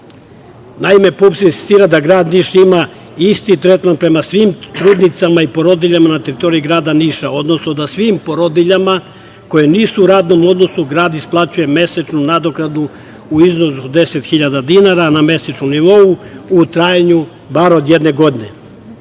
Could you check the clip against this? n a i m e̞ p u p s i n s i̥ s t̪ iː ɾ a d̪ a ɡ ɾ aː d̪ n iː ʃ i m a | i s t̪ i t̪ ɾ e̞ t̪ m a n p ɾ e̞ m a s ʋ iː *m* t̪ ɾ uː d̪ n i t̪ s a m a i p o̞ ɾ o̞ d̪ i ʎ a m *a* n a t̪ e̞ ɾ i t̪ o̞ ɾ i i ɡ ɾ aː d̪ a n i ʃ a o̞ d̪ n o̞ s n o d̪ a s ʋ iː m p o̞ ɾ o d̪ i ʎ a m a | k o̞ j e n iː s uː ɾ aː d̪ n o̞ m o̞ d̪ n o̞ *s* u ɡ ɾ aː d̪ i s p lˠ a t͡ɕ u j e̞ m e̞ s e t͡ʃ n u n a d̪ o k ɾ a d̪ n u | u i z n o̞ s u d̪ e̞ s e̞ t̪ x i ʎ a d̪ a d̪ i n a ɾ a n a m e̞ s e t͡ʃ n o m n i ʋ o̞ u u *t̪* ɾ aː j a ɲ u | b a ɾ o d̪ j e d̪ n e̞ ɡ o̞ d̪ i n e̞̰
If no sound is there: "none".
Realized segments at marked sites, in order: m, a, s, t̪

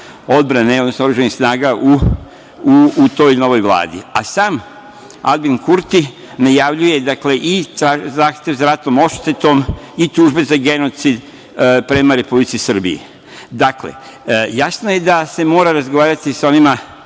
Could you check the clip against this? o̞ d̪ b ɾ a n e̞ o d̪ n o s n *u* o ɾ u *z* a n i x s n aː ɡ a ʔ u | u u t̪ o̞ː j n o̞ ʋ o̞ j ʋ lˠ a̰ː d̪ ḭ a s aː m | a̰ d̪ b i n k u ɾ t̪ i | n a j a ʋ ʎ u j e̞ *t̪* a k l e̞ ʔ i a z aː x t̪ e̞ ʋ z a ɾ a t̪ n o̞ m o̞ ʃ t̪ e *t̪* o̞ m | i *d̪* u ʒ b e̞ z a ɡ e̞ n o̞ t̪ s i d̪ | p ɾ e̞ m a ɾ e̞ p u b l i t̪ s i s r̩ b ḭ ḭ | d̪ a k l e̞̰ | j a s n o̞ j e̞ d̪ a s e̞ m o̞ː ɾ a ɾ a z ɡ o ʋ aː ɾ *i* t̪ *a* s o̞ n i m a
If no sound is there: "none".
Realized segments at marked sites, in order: o, ʒ, d̪, t̪, t̪, a, i

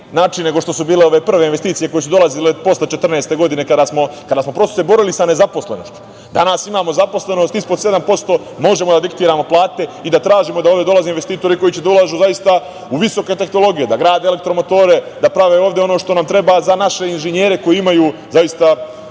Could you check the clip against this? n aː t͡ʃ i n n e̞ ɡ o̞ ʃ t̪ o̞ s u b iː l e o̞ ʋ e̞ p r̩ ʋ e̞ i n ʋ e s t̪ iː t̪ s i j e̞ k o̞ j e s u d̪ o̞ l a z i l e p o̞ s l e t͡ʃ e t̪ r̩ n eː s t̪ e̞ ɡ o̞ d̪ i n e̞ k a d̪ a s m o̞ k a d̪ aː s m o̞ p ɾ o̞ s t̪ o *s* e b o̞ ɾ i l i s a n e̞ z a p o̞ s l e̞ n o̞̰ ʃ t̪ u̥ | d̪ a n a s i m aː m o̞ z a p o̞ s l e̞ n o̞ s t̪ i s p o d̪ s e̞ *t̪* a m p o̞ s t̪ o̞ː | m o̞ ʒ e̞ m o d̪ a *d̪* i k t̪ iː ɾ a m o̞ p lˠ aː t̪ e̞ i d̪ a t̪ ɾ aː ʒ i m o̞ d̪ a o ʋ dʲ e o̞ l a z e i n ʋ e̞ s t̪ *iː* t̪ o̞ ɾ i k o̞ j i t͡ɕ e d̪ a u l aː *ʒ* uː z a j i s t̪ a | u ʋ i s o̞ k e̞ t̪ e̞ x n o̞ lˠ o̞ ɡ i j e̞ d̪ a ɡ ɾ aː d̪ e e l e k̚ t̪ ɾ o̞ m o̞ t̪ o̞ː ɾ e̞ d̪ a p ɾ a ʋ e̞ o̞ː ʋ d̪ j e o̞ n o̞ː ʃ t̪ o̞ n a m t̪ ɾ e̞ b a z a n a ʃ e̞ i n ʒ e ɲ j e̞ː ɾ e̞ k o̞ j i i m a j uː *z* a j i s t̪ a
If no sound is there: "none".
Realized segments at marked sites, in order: s, d̪, d̪, iː, ʒ, z

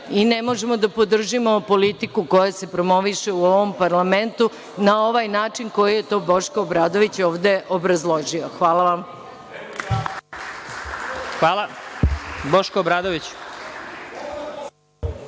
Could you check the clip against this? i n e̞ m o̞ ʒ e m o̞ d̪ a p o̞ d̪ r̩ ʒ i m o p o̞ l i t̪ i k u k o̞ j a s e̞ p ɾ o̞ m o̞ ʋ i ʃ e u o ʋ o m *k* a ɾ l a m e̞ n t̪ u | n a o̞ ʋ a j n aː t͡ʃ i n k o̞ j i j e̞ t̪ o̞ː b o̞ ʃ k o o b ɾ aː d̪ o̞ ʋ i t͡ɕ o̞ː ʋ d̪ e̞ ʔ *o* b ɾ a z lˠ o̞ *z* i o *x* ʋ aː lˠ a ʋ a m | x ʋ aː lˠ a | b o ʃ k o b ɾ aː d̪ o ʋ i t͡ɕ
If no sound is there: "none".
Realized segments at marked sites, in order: p, o, ʒ, x

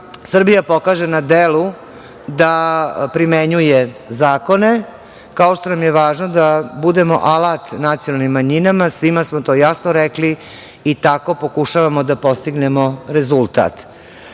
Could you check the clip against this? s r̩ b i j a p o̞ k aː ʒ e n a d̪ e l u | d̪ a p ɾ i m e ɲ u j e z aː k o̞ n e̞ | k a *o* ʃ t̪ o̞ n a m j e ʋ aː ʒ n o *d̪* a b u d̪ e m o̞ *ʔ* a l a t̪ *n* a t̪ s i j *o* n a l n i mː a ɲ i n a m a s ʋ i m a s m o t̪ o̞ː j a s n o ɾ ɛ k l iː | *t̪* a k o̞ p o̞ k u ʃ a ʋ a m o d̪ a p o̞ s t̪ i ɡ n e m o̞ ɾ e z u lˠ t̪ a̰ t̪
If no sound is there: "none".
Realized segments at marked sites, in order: o, d̪, ʔ, n, o, t̪

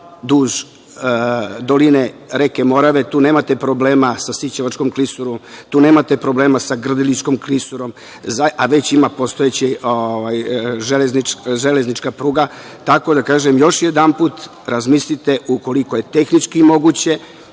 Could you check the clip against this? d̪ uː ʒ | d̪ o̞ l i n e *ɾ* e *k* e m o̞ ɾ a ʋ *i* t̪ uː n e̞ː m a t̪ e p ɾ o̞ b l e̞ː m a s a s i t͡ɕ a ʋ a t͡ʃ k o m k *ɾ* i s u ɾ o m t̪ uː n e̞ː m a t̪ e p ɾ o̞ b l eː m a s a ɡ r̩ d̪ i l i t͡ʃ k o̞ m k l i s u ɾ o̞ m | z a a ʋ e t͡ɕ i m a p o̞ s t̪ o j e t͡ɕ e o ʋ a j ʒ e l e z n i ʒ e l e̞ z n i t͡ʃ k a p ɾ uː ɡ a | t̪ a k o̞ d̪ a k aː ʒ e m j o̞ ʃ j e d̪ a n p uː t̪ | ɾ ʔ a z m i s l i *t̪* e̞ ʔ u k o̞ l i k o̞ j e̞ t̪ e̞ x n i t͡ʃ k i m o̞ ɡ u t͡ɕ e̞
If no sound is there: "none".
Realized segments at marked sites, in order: ɾ, k, e, l, t̪

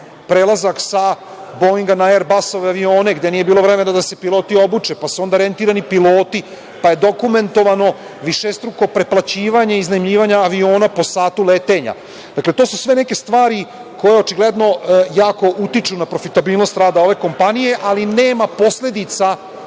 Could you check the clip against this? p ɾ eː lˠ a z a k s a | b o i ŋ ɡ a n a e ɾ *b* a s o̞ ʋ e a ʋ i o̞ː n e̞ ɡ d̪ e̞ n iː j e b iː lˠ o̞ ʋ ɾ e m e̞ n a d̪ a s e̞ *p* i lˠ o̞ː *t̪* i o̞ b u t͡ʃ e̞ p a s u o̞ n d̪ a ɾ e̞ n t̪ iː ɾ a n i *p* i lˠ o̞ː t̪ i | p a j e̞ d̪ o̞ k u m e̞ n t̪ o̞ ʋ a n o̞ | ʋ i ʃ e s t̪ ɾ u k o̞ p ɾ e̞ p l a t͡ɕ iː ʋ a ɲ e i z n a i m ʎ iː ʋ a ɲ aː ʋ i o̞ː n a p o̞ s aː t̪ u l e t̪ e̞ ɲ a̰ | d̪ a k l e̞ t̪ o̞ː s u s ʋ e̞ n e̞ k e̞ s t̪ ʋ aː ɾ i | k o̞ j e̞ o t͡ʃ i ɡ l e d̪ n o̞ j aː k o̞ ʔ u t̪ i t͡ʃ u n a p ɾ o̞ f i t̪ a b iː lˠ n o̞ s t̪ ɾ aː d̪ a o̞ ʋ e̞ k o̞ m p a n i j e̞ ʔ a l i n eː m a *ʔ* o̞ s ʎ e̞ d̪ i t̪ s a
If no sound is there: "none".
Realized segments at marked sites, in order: b, p, t̪, p, p

